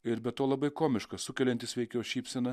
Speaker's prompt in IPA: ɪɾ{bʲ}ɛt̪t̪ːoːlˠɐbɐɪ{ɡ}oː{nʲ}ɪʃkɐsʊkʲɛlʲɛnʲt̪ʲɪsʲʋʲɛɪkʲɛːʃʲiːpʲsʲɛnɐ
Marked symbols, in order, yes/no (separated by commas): yes, no, no